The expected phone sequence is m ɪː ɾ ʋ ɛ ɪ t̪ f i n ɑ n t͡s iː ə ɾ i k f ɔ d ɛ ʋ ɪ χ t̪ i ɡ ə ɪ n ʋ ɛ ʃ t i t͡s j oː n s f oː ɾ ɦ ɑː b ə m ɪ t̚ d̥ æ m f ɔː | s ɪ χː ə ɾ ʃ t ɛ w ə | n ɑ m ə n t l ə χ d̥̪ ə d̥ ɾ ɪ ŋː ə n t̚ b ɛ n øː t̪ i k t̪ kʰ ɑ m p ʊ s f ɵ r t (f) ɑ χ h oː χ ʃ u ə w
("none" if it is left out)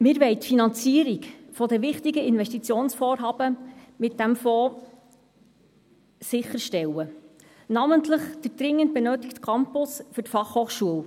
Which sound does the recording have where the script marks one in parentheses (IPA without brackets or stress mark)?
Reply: f